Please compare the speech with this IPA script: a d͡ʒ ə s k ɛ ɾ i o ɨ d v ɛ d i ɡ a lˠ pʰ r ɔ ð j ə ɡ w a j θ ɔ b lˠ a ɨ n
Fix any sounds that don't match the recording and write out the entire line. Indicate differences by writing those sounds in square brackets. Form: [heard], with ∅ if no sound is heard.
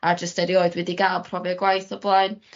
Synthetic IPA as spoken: a d͡ʒ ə s [t] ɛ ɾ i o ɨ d [w] ɛ d i ɡ a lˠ pʰ r ɔ [v] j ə ɡ w a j θ ɔ b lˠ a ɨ n

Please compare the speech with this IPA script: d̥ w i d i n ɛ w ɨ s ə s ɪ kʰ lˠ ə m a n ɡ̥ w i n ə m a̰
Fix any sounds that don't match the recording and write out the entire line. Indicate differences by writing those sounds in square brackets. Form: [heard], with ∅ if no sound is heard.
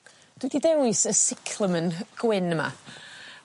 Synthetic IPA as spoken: d̥ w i d i [d] ɛ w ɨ s ə s ɪ kʰ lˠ ə m [ə] n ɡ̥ w [ɪ] n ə m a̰

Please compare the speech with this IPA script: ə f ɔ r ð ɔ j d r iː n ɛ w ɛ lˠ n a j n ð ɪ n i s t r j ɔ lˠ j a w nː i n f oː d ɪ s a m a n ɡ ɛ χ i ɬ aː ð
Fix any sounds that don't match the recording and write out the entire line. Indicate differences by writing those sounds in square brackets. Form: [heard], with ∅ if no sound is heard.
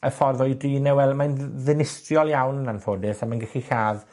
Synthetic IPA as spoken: ə f ɔ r ð ɔ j d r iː n ɛ w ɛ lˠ [m] a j n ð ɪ n [ɪ] s t r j ɔ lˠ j a w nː [a] n f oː d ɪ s a m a n ɡ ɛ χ i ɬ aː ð

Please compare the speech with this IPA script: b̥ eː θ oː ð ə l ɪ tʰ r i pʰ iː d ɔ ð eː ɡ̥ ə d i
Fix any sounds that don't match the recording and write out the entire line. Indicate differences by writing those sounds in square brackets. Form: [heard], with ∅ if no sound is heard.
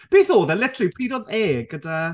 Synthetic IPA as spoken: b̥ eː θ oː ð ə l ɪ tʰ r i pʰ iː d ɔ ð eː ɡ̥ ə d [a]

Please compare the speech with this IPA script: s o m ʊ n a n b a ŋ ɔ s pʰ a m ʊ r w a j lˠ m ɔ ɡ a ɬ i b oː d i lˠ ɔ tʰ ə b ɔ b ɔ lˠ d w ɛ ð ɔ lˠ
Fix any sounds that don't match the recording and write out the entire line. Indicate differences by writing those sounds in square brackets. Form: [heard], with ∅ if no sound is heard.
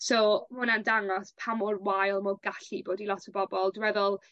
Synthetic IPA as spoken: s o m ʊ n a n [d] a ŋ ɔ s pʰ a m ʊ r w a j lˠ m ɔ ɡ a ɬ i b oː d i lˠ ɔ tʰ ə b ɔ b ɔ lˠ d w ɛ ð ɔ lˠ

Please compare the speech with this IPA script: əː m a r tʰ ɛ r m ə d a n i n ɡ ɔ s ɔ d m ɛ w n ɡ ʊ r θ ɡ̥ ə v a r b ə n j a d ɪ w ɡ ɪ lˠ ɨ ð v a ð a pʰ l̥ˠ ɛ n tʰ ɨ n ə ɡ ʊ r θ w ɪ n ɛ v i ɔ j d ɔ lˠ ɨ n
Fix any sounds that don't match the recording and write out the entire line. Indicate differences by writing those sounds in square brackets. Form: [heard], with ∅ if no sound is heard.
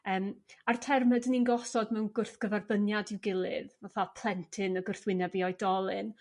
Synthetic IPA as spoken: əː m a r tʰ ɛ r m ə d [ə] n i n ɡ ɔ s ɔ d m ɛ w n ɡ ʊ r θ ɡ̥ ə v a r b ə n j a d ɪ w ɡ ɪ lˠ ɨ ð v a [θ] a pʰ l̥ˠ ɛ n tʰ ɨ n ə ɡ ʊ r θ w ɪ n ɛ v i ɔ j d ɔ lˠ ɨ n

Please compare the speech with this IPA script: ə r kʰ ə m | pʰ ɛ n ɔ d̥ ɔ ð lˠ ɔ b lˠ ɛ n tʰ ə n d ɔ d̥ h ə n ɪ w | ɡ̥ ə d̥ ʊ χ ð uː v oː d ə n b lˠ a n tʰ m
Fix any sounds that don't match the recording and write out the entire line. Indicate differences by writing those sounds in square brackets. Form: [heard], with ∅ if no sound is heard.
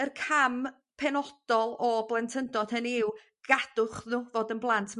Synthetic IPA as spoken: ə r kʰ [a] m | pʰ ɛ n ɔ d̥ ɔ [∅] lˠ ɔ b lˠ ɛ n tʰ ə n d ɔ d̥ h ə n ɪ w | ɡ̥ [a] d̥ ʊ χ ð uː v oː d ə n b lˠ a n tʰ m

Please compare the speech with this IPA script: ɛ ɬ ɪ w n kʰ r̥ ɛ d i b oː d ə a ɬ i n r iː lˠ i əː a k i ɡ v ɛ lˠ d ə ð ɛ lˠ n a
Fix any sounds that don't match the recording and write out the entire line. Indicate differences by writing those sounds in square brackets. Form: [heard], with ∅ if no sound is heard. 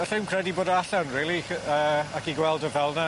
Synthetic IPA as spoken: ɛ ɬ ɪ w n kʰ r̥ ɛ d i b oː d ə a ɬ [a] n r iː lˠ i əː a k i ɡ [w] ɛ lˠ d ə [v] ɛ lˠ n a

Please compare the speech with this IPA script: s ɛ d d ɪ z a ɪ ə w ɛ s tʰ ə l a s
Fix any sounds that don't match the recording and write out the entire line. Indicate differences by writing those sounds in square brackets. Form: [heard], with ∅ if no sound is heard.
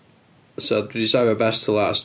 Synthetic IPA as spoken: s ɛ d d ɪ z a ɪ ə [b] ɛ s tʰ ə l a s

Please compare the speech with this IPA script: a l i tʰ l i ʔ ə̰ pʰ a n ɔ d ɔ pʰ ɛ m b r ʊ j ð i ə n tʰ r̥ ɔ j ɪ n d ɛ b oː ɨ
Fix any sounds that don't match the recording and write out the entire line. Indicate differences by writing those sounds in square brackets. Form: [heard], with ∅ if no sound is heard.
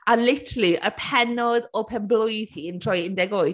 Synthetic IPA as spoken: a l [ɪ] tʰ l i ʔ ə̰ pʰ [ɛ] n ɔ d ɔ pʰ ɛ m b [l] ʊ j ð i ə n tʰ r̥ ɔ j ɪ n d ɛ [ɡ] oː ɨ

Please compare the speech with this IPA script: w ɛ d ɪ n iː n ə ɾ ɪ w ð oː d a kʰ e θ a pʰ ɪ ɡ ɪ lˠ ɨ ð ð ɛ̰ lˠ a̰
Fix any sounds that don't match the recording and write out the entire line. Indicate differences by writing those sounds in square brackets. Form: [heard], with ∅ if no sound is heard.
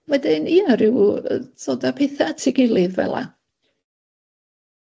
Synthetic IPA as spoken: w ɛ d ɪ n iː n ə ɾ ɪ w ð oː d a [pʰ] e θ a [tʰ] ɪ ɡ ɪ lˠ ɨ ð [v] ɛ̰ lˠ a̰

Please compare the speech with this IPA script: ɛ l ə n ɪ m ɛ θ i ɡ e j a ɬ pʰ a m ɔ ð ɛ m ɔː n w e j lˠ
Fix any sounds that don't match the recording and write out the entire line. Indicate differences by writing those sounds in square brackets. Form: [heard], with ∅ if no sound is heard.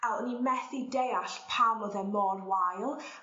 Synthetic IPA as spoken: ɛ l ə n [i] m ɛ θ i [d] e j a ɬ pʰ a m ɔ ð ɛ m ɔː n w [a] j lˠ

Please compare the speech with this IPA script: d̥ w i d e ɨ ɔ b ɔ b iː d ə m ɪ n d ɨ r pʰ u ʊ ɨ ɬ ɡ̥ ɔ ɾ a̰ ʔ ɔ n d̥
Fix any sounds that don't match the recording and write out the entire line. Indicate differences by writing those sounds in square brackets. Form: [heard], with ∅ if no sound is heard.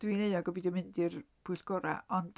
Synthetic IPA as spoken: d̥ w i [n] e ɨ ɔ [ɡ] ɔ b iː d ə m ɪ n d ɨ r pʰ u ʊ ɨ ɬ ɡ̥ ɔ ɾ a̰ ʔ ɔ n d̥

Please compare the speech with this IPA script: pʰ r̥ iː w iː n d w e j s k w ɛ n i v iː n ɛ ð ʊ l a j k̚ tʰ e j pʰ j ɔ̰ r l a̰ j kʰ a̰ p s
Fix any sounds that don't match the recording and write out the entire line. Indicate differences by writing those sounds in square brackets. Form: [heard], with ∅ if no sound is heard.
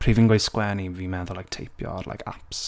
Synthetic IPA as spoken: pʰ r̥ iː [v] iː n [ɡ] w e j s k w ɛ n i v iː [m] ɛ ð ʊ l a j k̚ tʰ e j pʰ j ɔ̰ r l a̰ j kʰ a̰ p s

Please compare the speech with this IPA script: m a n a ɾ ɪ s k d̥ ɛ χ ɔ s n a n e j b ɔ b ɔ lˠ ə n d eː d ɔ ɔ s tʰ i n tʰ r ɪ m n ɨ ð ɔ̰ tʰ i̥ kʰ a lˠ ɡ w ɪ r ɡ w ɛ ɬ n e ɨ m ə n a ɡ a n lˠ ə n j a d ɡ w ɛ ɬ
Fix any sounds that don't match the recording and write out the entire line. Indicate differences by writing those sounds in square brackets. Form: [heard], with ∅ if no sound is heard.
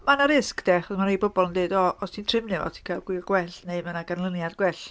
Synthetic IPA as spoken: m a n a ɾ ɪ s k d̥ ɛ χ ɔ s [m] a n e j b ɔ b ɔ lˠ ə n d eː d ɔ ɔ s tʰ i n tʰ r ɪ m n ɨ [v] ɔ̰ tʰ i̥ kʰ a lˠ ɡ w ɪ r ɡ w ɛ ɬ n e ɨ m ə n a ɡ a n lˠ ə n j a d ɡ w ɛ ɬ

